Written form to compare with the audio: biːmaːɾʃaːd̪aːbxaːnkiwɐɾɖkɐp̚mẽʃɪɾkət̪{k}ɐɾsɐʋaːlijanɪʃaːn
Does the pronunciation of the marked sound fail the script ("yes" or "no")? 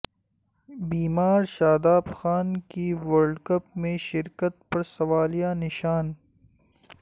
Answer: yes